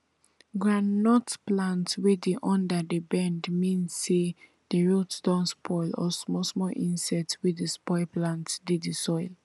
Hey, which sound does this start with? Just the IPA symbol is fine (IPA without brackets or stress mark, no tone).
ɡ